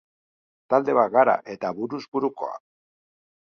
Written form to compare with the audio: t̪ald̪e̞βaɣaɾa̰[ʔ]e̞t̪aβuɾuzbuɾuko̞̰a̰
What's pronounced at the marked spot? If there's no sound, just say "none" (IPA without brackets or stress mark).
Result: ʔ